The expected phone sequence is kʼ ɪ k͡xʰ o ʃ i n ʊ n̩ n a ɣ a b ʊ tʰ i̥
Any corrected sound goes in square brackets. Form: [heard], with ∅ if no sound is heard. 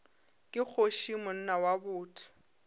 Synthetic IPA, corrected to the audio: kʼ ɪ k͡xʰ o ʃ i [m] ʊ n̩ n a [w] a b [ʊː] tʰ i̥